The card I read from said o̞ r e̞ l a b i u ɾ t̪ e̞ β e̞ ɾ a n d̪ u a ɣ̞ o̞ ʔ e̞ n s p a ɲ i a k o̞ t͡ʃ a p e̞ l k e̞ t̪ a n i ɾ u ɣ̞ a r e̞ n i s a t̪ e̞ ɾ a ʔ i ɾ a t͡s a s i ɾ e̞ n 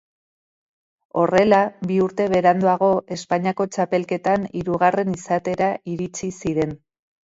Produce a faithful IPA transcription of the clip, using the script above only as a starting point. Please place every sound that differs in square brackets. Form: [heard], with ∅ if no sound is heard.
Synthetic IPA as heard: o̞ r e̞ l a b i u ɾ t̪ e̞ β e̞ ɾ a n d̪ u a ɣ̞ o̞ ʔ e̞ [∅] s p a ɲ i a k o̞ t͡ʃ a p e̞ l k e̞ t̪ a n i ɾ u ɣ̞ a r e̞ n i s a t̪ e̞ ɾ a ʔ i ɾ [i] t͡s [i] s i ɾ e̞ n